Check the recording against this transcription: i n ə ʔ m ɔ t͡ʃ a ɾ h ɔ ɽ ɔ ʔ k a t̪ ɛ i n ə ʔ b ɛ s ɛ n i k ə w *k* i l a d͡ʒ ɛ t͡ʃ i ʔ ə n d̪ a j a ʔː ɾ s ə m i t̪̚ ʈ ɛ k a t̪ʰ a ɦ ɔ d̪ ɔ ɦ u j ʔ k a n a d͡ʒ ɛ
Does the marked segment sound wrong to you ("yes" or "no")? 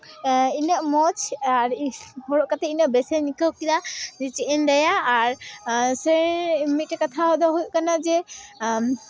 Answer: no